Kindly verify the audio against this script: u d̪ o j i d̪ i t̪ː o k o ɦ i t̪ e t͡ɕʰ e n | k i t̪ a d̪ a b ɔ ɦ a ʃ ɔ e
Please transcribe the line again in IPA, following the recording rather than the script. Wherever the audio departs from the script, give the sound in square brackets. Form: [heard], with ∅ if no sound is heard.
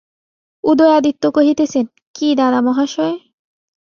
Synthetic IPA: u d̪ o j [a] d̪ i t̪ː o k o ɦ i t̪ e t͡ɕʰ e n | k i [d̪] a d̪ a [m] ɔ ɦ a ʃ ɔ e